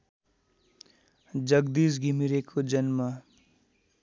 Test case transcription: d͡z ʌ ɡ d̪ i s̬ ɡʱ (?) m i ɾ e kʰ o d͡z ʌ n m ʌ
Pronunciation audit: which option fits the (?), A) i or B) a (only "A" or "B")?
A